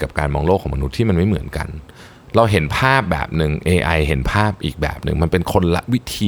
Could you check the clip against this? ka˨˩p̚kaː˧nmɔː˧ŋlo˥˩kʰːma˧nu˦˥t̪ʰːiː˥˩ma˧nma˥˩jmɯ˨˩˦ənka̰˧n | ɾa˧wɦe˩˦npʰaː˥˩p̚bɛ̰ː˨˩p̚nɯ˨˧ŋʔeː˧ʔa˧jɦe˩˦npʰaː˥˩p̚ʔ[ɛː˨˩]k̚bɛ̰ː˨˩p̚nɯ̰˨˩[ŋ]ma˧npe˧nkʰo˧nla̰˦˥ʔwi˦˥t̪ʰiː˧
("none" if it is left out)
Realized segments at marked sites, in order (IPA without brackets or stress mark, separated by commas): iː˨˩, ŋ